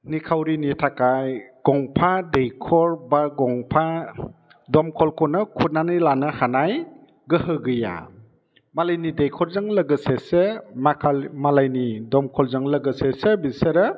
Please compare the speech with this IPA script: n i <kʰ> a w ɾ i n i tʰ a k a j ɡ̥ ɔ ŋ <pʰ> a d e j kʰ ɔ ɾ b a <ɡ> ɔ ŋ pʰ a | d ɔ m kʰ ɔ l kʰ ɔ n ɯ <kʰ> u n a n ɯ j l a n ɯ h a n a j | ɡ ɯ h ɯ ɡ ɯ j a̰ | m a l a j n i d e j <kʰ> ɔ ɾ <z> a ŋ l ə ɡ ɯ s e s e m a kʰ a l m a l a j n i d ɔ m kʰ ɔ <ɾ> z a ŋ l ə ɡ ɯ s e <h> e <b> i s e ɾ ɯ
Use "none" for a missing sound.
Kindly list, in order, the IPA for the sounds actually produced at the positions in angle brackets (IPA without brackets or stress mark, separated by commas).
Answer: kʰ, pʰ, ɡ, kʰ, kʰ, z, l, s, b